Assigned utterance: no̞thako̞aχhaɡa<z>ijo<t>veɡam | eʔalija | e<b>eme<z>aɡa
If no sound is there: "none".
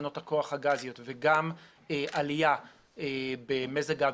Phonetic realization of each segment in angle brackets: z, t, b, z

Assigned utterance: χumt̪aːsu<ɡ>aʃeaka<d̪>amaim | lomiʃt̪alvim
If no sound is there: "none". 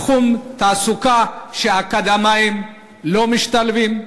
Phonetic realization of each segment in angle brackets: k, d̪

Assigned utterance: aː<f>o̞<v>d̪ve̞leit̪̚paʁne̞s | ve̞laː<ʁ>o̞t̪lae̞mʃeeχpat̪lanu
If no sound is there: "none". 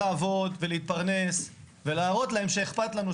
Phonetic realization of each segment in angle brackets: v, none, ʁ

